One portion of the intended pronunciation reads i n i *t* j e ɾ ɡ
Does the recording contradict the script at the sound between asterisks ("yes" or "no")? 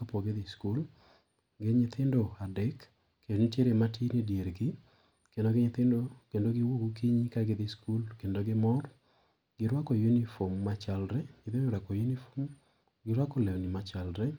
yes